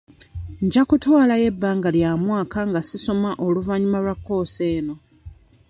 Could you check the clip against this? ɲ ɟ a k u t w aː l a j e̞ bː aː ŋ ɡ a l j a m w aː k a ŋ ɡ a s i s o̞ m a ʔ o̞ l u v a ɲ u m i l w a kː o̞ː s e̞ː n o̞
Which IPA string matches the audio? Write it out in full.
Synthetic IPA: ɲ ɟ a k u t w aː l a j e̞ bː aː ŋ ɡ a l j a m w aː k a ŋ ɡ a s i s o̞ m a ʔ o̞ l u v a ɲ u m a l w a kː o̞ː s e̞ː n o̞